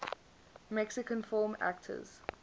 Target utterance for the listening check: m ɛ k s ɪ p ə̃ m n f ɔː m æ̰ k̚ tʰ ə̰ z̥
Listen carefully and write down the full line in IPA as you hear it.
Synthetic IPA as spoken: m ɛ k s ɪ k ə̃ n f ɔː m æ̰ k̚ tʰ ə̰ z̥